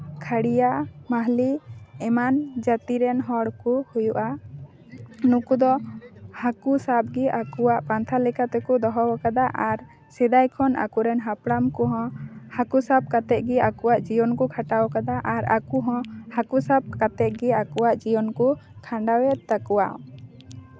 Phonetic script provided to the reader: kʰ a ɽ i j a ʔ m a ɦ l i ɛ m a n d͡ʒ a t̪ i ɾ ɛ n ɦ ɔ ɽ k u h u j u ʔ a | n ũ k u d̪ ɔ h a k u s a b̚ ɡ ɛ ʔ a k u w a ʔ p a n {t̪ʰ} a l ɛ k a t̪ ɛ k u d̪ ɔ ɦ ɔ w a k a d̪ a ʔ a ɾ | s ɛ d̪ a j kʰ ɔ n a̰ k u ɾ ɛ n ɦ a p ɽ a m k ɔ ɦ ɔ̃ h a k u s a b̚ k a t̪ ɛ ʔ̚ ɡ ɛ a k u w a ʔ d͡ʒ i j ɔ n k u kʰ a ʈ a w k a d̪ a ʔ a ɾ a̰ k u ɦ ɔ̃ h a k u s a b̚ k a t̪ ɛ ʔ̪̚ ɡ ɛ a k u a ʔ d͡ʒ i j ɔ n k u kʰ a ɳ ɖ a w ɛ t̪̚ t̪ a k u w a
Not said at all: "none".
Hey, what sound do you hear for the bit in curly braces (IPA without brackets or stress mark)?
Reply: t̪ʰ